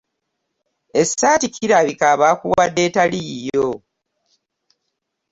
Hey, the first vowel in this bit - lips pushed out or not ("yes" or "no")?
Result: no